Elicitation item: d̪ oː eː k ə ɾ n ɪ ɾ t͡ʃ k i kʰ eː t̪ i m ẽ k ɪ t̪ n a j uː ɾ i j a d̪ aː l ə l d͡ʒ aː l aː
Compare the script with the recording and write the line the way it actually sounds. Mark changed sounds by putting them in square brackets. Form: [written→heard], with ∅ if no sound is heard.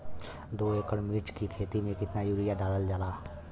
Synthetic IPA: d̪ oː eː k ə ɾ [n→m] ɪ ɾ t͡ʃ k i kʰ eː t̪ i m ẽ k ɪ t̪ n a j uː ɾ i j a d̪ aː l ə l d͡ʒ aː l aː